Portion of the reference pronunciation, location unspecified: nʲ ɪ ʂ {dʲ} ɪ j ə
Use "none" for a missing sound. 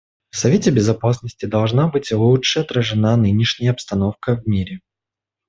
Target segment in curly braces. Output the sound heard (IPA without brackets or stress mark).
nʲ